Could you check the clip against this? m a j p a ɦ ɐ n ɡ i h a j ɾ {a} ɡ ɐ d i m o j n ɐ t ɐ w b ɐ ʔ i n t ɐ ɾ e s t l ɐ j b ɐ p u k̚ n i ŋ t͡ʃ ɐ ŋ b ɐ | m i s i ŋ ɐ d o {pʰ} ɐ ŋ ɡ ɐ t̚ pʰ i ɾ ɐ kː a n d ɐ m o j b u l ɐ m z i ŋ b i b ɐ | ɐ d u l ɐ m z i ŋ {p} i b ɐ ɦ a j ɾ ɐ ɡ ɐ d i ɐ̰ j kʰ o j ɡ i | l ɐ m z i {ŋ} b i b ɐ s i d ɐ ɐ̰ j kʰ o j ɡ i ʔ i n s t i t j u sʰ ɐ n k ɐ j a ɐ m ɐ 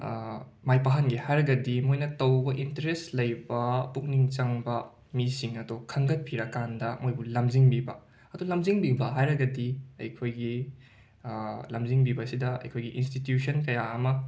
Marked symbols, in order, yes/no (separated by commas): no, no, no, yes